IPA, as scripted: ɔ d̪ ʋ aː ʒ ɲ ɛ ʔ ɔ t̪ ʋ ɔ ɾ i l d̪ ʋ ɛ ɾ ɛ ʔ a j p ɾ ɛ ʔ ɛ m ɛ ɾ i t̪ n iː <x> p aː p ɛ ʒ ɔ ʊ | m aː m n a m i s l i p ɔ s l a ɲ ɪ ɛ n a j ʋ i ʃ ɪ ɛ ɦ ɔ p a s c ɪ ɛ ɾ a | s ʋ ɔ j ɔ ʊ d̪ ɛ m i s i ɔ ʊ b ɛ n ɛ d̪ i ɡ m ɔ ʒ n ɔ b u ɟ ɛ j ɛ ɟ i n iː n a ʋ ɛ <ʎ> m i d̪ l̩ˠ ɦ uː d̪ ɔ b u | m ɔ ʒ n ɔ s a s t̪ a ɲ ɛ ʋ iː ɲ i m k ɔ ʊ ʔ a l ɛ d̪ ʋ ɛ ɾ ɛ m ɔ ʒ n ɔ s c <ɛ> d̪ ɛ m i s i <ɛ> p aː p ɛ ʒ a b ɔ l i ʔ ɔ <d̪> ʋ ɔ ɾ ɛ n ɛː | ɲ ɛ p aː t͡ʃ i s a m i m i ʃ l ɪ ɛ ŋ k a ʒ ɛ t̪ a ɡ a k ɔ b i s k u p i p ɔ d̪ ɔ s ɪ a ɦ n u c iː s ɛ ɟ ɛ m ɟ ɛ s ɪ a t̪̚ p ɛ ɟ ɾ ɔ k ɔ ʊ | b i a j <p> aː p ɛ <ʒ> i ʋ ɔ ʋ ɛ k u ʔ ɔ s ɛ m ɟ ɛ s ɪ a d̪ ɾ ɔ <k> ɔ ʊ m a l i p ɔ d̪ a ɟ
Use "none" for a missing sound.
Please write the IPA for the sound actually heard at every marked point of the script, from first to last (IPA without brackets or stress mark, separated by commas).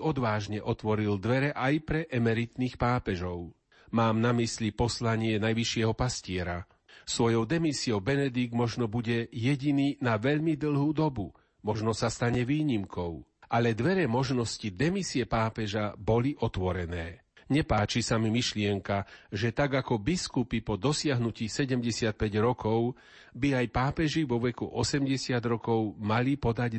x, ʎ, i, ɛ, t̪, p, ʒ, k